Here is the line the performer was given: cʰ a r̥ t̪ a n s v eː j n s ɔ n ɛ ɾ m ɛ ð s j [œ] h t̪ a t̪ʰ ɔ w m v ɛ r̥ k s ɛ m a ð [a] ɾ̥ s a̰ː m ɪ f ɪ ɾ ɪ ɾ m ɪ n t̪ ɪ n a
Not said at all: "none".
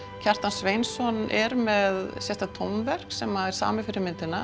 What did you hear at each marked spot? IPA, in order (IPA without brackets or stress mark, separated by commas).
ɛ, ɛ